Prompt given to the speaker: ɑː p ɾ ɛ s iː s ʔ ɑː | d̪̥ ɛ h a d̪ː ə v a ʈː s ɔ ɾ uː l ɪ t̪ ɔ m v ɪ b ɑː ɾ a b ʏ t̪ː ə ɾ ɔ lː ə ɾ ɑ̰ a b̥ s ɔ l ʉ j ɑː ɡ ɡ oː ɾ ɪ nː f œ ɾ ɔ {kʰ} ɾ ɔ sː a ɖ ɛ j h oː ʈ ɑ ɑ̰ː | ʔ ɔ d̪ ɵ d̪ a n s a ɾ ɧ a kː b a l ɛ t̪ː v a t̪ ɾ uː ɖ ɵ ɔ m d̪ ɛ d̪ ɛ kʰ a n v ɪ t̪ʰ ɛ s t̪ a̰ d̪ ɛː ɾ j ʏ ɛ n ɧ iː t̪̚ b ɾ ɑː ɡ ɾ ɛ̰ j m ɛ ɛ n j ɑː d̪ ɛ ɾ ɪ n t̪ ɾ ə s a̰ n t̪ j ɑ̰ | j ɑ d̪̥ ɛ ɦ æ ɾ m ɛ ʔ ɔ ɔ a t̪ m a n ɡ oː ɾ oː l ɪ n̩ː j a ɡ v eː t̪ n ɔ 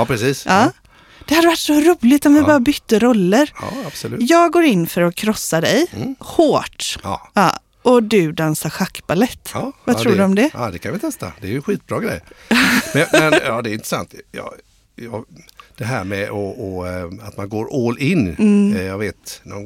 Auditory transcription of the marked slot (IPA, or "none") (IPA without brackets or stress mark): kʰ